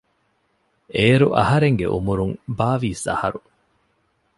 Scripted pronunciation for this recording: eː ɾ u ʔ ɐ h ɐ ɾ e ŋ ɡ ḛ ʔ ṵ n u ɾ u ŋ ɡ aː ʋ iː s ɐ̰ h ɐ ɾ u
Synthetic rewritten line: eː ɾ u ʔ ɐ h ɐ ɾ e ŋ ɡ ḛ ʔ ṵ m u ɾ u ŋ b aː ʋ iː s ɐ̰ h ɐ ɾ u